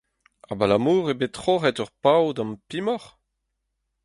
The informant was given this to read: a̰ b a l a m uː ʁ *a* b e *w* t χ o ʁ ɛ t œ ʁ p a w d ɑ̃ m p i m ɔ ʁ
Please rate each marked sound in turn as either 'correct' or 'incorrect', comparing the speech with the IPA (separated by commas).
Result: incorrect, incorrect